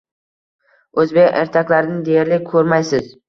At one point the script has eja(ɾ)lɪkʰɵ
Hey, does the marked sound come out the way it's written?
yes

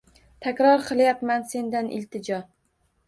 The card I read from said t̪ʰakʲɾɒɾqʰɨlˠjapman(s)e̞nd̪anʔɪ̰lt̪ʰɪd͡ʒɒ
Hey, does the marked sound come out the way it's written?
yes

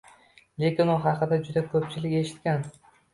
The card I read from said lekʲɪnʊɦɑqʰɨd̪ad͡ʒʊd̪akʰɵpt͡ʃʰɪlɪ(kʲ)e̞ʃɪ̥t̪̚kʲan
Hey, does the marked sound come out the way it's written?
yes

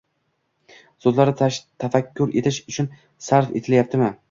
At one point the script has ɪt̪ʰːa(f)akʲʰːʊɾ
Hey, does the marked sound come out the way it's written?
yes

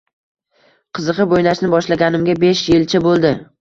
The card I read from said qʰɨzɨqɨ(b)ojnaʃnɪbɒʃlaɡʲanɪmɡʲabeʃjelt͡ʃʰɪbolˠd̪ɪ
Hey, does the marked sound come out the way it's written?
yes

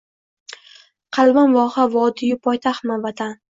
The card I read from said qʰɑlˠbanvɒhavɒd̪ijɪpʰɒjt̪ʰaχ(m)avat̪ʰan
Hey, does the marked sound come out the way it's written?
yes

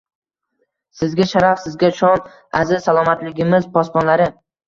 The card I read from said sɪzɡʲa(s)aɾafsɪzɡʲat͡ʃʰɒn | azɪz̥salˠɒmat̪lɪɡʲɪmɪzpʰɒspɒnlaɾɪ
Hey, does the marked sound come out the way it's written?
no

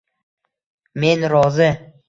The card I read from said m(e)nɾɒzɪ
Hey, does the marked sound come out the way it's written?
yes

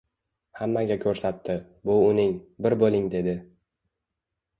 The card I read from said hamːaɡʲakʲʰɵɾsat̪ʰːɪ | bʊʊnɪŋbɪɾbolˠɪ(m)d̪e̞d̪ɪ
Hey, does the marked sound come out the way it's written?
no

